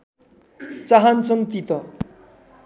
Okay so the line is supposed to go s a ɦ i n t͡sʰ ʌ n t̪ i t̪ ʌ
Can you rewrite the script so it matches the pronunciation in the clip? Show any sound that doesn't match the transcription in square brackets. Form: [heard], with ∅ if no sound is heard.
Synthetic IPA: [t͡s] a ɦ [a] n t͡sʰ ʌ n t̪ i t̪ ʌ